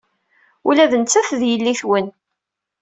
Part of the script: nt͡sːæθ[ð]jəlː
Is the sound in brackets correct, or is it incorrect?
correct